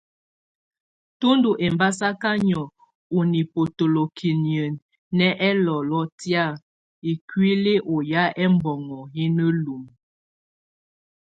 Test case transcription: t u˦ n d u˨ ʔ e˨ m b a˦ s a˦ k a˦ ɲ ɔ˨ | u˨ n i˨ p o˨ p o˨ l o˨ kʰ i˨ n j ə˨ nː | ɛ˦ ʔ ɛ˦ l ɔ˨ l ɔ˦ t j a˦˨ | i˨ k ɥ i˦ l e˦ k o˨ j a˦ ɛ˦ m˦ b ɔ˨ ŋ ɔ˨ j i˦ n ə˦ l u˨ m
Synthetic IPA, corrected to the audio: t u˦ n d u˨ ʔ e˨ m b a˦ s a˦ k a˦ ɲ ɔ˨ | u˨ n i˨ p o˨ t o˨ l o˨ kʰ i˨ n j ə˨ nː | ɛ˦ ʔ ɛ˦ l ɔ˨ l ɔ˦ t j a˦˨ | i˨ k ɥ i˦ l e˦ ʔ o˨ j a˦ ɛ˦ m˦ b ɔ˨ ŋ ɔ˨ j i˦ n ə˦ l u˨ m